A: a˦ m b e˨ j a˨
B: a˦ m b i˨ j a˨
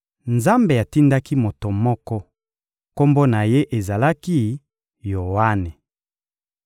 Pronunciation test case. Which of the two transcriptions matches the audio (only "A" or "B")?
A